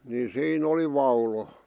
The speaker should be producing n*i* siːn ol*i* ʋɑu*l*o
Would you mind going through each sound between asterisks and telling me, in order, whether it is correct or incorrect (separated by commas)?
correct, correct, correct